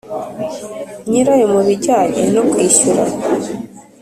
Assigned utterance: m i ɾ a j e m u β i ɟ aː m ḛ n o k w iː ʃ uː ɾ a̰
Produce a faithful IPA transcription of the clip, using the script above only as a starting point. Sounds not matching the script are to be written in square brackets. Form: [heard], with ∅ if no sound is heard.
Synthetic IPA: [ɲ] i ɾ a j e m u β i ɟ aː [ɲ] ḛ n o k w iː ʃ [u] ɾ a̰